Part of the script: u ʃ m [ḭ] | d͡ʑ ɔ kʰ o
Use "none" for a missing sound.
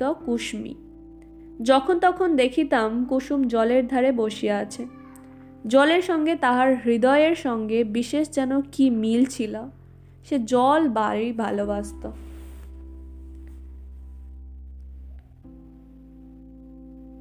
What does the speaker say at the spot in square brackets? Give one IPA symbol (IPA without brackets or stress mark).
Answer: ḭ